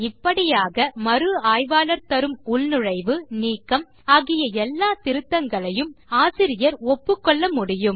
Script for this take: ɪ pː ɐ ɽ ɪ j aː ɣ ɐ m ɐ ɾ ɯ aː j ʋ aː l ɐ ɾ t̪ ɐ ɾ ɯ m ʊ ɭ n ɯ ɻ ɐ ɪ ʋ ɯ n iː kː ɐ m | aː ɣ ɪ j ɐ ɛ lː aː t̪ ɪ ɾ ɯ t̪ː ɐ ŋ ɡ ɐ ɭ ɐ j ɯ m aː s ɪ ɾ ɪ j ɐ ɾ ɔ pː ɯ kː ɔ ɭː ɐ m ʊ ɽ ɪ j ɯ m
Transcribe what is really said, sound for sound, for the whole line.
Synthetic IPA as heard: ɪ pː ɐ ɽ ɪ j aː ɣ ɐ m ɐ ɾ ɯ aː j ʋ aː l ɐ ɾ t̪ ɐ ɾ ɯ m ʊ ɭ n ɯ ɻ ɐ ɪ ʋ ɯ n iː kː ɐ m | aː ɣ ɪ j ɐ ɛ lː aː t̪ ɪ ɾ ɯ t̪ː ɐ ŋ ɡ ɐ ɭ ɐ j ɯ m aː s ɪ ɾ ɪ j ɐ ɾ ɔ pː ɯ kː ɔ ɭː ɐ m ʊ ɽ ɪ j ɯ m